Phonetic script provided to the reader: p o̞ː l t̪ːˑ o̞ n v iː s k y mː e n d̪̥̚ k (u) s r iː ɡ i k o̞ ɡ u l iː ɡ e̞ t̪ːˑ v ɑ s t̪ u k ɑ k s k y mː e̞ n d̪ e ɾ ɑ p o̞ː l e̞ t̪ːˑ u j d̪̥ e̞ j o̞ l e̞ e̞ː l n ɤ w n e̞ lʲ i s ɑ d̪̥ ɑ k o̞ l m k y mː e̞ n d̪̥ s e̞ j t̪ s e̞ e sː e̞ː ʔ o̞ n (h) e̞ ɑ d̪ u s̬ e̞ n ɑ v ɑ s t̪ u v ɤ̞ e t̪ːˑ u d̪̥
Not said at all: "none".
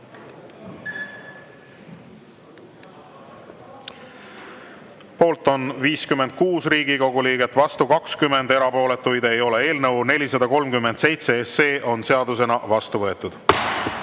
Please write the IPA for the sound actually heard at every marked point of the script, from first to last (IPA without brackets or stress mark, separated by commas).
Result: uː, s